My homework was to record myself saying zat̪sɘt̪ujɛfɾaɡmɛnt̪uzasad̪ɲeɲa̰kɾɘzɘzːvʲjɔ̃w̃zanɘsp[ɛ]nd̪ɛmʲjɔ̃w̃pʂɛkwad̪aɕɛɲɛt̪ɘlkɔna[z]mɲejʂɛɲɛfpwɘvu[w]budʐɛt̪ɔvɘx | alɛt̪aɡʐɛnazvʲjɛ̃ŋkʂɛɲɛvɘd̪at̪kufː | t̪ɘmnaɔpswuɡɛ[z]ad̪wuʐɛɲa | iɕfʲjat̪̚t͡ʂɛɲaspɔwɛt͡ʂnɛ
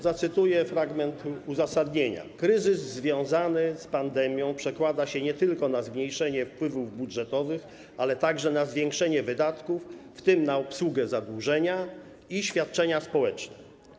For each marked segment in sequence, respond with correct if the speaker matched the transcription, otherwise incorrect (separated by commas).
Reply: incorrect, correct, incorrect, correct